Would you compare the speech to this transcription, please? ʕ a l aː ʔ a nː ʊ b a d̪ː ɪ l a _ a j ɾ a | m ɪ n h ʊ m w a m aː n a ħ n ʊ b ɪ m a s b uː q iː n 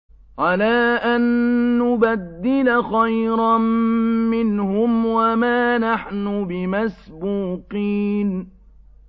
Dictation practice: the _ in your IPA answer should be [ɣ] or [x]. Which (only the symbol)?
x